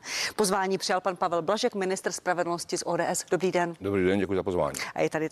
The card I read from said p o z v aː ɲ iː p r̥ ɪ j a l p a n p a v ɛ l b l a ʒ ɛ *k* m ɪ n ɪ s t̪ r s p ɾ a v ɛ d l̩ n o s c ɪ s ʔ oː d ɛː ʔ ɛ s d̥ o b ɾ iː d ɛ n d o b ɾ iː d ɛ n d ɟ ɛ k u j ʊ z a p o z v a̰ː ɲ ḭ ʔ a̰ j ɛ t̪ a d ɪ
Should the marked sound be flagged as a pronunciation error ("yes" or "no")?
no